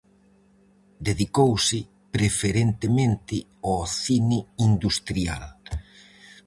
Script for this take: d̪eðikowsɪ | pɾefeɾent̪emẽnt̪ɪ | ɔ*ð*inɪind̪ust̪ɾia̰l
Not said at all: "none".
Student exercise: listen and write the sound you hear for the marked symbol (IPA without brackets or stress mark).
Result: θ